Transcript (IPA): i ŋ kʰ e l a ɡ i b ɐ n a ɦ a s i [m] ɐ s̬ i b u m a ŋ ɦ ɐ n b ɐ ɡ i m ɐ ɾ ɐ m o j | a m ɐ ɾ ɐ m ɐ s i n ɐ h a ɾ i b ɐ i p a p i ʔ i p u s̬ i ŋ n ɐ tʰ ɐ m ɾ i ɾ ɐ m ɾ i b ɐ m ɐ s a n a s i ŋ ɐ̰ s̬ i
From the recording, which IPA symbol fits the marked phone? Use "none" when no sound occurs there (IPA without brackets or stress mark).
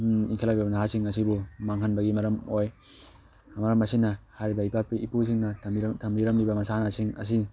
ŋ